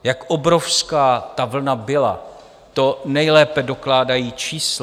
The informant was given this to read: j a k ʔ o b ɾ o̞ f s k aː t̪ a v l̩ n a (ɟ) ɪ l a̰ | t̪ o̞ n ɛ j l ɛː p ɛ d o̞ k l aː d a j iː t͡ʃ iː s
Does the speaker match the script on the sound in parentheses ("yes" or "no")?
no